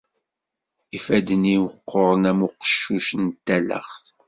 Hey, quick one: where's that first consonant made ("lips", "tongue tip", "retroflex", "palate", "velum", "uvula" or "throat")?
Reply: lips